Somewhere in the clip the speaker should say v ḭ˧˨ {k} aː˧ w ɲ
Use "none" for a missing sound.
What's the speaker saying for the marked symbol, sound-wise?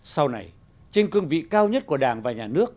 k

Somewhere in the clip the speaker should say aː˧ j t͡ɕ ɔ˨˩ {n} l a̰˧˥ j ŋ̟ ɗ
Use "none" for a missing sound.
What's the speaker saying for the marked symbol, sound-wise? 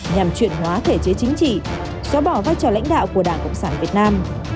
none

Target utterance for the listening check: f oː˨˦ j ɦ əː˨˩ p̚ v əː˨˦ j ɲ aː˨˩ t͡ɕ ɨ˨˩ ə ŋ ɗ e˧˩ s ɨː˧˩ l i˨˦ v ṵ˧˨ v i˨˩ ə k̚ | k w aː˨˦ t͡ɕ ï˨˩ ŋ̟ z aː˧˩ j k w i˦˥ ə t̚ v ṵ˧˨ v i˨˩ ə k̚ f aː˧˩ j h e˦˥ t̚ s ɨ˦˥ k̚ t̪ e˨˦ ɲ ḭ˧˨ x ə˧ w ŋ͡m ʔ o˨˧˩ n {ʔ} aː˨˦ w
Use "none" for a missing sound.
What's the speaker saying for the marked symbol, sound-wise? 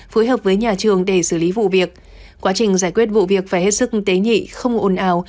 ʔ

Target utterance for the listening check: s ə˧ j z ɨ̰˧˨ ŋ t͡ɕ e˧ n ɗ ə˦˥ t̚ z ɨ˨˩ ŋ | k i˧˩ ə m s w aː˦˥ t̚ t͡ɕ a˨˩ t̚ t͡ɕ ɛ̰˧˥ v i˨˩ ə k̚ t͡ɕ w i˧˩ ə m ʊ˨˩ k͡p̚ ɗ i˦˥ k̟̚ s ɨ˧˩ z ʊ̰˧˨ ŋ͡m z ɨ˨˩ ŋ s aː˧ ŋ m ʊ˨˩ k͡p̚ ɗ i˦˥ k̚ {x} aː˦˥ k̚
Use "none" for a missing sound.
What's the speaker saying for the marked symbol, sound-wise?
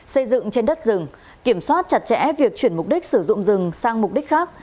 x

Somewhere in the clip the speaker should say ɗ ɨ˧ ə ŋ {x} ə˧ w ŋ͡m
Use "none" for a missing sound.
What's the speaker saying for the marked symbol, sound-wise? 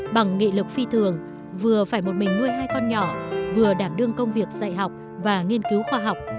k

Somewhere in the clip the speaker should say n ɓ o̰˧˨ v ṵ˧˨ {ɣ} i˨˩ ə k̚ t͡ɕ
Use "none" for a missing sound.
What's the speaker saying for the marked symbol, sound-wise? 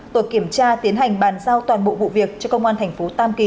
v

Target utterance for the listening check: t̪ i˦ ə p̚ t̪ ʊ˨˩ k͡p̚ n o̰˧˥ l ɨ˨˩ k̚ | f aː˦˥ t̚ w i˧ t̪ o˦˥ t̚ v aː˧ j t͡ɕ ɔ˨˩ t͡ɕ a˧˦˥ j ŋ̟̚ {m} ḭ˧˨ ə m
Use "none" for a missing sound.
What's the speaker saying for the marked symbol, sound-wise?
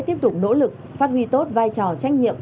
ɲ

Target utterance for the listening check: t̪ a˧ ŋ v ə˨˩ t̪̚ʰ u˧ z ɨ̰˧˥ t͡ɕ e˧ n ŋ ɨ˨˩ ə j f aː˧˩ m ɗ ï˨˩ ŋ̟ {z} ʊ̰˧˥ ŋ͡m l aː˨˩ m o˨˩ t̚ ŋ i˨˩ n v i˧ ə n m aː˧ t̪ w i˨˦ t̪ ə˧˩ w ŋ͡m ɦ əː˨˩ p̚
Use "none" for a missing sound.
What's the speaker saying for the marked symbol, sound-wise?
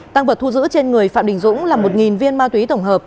z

